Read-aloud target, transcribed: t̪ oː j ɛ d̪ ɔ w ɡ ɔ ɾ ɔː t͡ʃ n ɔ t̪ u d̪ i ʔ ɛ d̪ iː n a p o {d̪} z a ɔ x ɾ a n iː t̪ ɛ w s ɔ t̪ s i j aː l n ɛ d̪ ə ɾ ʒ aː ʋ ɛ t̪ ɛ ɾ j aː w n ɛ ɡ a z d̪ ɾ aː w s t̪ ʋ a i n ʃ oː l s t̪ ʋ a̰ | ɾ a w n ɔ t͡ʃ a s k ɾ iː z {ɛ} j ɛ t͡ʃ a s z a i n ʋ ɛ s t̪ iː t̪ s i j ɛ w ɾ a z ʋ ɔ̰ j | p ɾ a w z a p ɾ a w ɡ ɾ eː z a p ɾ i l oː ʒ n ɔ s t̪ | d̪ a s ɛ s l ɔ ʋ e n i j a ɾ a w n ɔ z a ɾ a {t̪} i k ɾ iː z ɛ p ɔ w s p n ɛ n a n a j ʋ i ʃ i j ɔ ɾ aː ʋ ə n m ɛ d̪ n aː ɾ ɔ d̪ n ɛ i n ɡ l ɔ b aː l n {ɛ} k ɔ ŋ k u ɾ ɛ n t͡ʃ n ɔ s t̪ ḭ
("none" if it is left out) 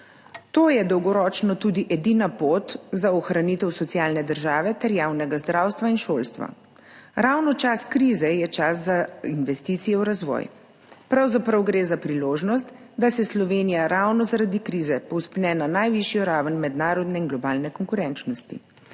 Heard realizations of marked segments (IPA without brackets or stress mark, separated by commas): t̪, ɛ, d̪, ɛ